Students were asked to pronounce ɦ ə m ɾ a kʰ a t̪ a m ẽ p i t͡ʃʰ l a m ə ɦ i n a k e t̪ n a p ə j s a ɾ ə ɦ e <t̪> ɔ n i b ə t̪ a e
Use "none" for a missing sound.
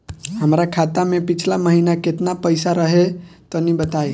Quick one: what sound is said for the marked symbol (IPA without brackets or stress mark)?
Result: t̪